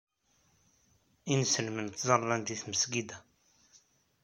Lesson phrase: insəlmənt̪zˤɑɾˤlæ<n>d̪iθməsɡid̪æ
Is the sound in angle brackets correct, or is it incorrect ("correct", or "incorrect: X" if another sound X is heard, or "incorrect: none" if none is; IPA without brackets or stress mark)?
correct